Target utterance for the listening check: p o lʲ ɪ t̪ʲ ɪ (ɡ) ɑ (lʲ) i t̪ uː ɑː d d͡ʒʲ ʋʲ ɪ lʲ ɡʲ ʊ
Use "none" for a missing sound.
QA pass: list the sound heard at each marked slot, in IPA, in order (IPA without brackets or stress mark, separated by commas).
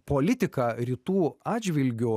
k, ɾʲ